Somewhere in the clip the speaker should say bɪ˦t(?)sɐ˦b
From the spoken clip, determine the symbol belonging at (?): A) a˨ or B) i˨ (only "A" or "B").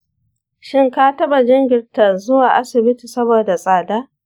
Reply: B